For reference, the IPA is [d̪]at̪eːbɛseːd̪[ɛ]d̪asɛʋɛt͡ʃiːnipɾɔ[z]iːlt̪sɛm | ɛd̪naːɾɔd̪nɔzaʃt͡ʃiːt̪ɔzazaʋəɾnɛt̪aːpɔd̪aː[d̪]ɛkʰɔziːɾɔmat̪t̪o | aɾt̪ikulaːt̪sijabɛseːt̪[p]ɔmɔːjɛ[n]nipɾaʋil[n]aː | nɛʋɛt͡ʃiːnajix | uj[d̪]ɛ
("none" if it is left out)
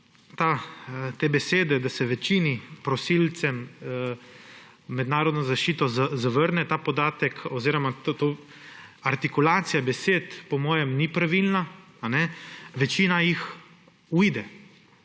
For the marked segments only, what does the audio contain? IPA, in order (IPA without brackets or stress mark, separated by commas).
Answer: t̪, ɛ, s, t̪, p, m, n, d̪